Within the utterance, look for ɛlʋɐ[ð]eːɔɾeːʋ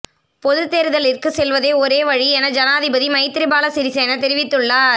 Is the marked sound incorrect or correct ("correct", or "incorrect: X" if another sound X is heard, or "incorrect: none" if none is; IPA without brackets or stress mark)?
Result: correct